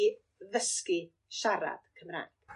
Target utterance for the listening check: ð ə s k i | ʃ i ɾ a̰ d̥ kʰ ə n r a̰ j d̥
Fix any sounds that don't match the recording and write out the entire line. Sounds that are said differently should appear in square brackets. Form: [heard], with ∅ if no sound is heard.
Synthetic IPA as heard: ð ə s k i | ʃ [a] ɾ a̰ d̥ kʰ ə [m] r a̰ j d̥